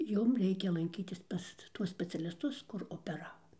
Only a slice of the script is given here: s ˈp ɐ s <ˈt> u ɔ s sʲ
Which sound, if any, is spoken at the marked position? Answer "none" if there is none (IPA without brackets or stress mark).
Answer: t